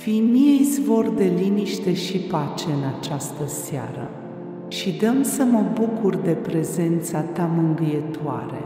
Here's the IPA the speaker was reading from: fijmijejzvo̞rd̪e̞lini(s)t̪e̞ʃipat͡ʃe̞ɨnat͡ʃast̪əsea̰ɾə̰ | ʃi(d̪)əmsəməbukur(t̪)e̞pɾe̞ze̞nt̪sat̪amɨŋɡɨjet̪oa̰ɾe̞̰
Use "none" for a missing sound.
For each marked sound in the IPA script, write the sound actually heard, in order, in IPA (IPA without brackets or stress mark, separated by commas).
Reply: ʃ, d̪, d̪